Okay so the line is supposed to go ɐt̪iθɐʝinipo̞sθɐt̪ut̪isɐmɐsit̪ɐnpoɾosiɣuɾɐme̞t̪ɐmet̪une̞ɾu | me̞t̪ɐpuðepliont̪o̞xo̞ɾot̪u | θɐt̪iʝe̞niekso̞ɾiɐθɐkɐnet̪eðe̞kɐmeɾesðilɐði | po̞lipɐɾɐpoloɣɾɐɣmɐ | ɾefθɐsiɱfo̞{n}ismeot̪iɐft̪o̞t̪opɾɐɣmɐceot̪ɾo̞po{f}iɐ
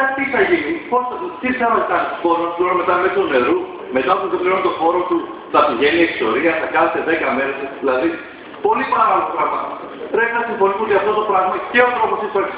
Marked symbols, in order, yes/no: yes, no

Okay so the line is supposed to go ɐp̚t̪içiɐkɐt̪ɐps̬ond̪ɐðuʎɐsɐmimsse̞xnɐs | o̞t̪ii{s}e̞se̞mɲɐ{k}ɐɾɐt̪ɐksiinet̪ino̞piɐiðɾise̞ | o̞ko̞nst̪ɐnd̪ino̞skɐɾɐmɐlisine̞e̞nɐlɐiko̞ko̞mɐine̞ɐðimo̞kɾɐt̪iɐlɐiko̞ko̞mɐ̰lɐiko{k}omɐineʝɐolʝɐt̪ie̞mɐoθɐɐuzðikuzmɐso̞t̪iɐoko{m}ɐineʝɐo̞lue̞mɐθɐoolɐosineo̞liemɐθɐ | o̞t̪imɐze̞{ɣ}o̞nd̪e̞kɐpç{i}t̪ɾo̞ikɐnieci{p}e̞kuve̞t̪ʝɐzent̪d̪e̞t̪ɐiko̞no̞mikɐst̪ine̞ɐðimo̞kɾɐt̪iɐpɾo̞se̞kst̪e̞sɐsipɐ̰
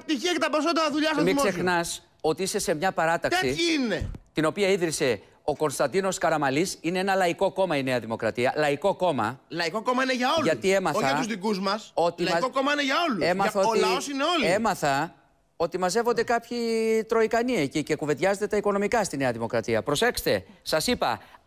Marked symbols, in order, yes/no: yes, no, yes, yes, no, yes, no

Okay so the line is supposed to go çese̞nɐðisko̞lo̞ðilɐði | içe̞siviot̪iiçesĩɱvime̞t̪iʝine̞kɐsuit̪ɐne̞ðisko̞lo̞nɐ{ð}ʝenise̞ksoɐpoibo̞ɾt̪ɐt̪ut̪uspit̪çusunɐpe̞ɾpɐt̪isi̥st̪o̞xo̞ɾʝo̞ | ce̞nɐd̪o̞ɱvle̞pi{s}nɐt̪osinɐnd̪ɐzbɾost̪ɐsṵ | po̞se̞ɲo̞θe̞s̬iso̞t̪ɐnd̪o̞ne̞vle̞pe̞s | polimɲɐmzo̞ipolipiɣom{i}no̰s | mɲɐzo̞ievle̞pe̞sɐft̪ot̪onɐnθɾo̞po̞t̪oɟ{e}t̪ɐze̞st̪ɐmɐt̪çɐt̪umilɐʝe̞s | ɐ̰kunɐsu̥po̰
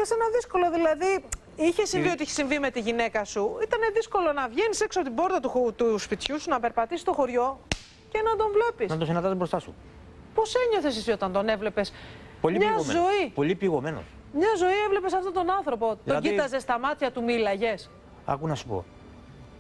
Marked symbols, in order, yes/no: no, yes, no, no

